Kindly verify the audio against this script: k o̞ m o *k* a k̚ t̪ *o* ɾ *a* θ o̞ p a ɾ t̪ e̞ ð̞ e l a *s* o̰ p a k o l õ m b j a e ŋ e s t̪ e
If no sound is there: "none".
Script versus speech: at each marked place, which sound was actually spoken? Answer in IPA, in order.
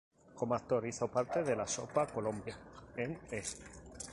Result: none, o, i, s

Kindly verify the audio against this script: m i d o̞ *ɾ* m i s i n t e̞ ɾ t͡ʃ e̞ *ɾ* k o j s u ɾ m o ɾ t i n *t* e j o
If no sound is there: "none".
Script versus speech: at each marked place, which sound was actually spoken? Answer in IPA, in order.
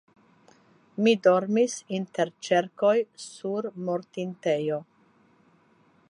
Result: ɾ, ɾ, t

